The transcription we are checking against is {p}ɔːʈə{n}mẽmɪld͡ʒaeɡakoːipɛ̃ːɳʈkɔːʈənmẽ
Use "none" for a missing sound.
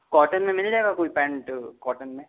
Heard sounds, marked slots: k, n

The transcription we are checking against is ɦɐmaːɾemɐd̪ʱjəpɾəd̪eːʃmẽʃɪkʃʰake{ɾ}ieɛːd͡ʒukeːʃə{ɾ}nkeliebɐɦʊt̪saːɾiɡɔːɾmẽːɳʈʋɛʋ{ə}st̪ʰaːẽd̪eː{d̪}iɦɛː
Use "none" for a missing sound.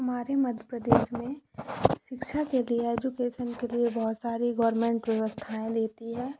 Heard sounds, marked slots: l, none, ə, t̪

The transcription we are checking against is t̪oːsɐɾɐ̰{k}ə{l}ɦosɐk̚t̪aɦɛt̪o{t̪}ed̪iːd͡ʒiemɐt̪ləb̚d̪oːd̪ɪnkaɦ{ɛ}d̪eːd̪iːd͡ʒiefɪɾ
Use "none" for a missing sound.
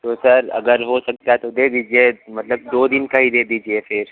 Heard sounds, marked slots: ɡ, ɾ, d̪, i

